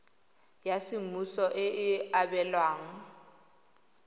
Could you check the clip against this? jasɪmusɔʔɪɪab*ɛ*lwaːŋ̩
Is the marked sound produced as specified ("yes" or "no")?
yes